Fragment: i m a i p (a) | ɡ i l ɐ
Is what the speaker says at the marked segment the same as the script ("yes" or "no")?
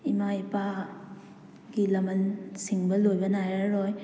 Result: yes